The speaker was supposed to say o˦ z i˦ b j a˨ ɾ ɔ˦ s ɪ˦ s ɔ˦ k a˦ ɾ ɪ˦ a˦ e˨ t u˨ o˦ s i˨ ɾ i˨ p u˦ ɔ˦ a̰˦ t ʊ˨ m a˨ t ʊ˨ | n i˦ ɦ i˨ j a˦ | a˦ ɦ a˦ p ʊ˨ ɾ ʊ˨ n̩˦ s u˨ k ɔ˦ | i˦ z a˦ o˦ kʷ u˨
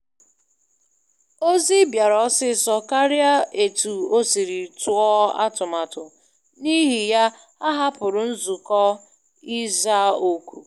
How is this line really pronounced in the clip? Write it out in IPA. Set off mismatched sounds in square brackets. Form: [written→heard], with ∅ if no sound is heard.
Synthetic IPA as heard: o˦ z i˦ b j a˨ ɾ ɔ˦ s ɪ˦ s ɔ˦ k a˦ ɾ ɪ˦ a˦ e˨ t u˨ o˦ s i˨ ɾ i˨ [p→t] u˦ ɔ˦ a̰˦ t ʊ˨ m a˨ t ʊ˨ | n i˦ ɦ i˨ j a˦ | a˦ ɦ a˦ p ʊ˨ ɾ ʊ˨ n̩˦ [s→z] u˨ k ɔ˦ | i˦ z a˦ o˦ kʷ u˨